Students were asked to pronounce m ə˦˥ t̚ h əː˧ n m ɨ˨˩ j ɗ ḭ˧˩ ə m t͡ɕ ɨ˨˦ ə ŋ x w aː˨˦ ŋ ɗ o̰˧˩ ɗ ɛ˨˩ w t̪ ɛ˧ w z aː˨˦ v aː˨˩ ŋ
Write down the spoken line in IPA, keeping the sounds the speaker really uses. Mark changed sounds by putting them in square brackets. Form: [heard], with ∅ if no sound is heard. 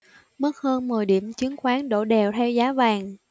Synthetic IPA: m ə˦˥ t̚ h əː˧ n m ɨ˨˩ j ɗ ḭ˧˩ ə m t͡ɕ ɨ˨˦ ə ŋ x w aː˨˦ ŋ ɗ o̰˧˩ ɗ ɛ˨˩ w [t̪ʰ] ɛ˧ w z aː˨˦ v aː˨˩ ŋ

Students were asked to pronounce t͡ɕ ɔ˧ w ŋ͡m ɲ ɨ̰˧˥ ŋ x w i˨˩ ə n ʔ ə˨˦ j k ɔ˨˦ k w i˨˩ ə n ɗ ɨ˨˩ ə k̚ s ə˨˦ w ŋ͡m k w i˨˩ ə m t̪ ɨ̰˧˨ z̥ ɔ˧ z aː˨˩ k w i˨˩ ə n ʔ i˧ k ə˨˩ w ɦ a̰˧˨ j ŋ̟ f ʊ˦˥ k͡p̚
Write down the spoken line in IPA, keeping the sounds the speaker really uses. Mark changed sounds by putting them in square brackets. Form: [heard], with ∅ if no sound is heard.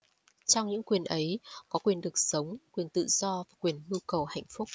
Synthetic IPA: t͡ɕ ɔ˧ w ŋ͡m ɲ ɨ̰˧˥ ŋ [k] w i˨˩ ə n ʔ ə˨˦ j k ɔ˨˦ k w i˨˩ ə n ɗ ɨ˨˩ ə k̚ s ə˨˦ w ŋ͡m k w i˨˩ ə [n] t̪ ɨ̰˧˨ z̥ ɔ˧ [v] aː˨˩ k w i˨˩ ə n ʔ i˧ k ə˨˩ w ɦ a̰˧˨ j ŋ̟ f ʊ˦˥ k͡p̚

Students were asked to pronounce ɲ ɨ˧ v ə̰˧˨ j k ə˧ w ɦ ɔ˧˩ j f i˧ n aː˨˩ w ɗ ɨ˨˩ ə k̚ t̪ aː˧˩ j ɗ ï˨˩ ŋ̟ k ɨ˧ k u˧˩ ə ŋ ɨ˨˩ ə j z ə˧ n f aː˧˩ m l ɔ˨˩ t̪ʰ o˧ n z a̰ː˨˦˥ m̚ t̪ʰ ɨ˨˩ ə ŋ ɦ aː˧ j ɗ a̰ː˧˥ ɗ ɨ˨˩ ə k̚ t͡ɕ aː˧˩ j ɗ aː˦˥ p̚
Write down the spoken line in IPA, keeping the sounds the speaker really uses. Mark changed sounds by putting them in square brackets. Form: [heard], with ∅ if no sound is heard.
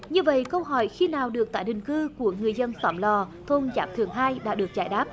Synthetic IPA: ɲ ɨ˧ v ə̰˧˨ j k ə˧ w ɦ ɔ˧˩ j [x] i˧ n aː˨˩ w ɗ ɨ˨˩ ə k̚ t̪ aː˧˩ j ɗ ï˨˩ ŋ̟ k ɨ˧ k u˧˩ ə ŋ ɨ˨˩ ə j z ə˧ n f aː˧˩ m l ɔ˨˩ t̪ʰ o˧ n z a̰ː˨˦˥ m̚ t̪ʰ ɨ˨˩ ə ŋ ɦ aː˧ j ɗ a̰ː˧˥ ɗ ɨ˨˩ ə k̚ t͡ɕ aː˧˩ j ɗ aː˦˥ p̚

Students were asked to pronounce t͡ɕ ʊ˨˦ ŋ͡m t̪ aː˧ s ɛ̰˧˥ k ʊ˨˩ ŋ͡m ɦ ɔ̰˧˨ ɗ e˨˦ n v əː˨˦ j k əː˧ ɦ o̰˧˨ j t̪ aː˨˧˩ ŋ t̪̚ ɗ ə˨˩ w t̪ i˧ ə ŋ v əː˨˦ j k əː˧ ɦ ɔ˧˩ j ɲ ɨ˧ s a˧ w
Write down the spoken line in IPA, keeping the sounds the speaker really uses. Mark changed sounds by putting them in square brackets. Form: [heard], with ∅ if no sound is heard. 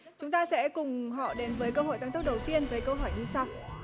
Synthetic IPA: t͡ɕ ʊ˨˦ ŋ͡m t̪ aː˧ s ɛ̰˧˥ k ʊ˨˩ ŋ͡m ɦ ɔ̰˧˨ ɗ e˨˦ n v əː˨˦ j k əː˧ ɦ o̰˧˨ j t̪ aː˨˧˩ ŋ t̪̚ ɗ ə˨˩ w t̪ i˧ ə [n] v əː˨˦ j k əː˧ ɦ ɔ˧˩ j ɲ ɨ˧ s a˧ w

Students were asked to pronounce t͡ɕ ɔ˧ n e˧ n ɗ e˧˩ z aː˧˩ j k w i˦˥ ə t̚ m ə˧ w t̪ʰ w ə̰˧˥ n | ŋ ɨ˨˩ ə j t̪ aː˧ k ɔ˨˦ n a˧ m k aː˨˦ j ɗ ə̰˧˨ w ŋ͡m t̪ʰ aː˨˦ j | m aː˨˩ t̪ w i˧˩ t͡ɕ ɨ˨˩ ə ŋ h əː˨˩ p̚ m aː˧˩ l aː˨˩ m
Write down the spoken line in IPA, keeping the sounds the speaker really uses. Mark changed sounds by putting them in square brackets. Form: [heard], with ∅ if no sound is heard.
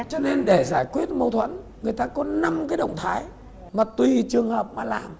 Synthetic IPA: t͡ɕ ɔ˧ n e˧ n ɗ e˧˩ z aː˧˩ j k w i˦˥ ə t̚ m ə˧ w t̪ʰ w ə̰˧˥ n | ŋ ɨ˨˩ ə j t̪ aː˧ k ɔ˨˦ n a˧ m k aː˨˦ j ɗ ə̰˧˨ w ŋ͡m t̪ʰ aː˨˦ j | m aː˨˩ t̪ w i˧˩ t͡ɕ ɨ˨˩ ə ŋ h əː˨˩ p̚ m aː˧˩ l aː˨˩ m

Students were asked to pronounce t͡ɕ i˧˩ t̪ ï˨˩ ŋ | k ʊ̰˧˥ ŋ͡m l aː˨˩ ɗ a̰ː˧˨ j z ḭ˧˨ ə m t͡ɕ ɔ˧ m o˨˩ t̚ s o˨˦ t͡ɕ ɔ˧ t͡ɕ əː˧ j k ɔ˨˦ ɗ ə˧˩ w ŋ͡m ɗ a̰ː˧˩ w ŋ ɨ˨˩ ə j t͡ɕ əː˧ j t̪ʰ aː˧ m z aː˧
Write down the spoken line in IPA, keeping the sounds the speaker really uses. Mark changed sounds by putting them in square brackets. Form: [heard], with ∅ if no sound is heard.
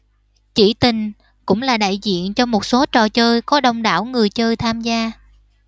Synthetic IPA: t͡ɕ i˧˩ t̪ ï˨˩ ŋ | k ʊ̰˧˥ ŋ͡m l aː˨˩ ɗ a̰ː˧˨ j z ḭ˧˨ ə [n] t͡ɕ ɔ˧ m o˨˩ t̚ s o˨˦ t͡ɕ [ɔ˨˩] t͡ɕ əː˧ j k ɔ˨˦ ɗ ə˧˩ w ŋ͡m ɗ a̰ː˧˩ w ŋ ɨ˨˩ ə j t͡ɕ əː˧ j t̪ʰ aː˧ m z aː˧

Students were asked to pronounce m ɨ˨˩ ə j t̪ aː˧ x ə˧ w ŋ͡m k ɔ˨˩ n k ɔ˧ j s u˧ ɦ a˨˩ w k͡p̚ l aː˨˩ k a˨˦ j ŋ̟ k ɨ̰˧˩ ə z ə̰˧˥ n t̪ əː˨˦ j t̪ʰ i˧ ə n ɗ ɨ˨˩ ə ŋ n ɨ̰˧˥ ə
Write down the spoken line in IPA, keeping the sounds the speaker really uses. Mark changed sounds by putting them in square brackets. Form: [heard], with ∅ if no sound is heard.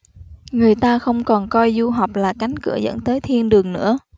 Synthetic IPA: [ŋ] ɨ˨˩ ə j t̪ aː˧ x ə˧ w ŋ͡m k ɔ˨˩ n k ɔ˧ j [z] u˧ ɦ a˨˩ w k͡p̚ l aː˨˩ k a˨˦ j ŋ̟ k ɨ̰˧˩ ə z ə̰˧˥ n t̪ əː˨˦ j t̪ʰ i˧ ə n ɗ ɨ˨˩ ə ŋ n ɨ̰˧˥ ə

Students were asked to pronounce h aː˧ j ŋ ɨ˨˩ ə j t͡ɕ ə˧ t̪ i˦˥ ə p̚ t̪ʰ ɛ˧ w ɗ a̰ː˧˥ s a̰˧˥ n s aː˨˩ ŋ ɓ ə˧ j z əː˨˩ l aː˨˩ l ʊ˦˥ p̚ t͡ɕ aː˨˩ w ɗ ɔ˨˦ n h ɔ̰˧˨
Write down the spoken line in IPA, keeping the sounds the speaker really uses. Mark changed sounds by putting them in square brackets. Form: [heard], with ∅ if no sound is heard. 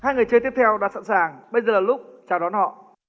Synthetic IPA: h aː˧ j ŋ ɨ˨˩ ə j t͡ɕ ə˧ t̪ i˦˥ ə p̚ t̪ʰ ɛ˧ w ɗ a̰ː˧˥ s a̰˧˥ n s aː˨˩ ŋ ɓ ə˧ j z əː˨˩ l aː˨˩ l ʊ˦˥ [k͡p̚] t͡ɕ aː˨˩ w ɗ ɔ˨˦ n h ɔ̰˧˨

